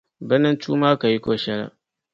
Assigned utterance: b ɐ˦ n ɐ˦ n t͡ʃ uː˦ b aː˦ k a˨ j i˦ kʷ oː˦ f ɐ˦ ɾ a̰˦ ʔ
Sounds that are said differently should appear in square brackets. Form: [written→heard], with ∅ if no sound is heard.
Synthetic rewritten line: b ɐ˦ n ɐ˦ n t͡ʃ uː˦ [b→m] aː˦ k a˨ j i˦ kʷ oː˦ [f→ʃ] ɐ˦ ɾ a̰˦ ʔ